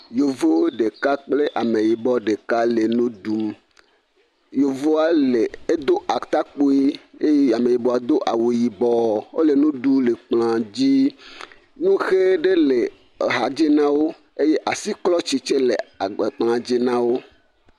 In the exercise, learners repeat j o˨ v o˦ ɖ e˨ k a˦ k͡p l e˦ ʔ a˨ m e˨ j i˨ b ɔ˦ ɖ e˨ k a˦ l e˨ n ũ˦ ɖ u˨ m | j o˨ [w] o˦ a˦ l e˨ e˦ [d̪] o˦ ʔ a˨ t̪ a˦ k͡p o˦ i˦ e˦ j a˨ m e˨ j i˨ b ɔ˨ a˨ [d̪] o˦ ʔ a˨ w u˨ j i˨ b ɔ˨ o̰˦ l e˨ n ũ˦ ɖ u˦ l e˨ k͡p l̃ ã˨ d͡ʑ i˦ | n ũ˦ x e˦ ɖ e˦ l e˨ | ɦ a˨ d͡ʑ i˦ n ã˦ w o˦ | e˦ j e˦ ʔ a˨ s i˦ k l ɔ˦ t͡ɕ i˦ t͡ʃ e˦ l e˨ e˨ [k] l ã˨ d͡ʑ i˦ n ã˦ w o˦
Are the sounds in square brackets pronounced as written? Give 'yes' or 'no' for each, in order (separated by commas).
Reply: no, yes, yes, no